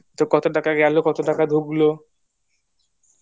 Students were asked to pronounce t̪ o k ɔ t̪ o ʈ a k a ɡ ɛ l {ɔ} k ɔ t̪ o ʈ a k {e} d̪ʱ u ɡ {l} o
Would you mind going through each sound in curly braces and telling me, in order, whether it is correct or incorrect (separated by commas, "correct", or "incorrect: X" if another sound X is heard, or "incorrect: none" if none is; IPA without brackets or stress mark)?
incorrect: o, incorrect: a, correct